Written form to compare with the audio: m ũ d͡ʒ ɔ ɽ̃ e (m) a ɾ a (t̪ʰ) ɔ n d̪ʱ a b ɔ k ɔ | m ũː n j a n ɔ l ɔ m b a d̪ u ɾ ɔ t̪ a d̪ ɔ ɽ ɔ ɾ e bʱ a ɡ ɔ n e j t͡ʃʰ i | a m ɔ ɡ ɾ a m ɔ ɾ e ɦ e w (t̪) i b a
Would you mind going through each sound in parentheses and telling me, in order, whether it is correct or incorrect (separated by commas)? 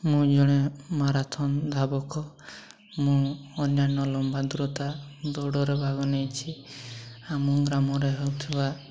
correct, correct, incorrect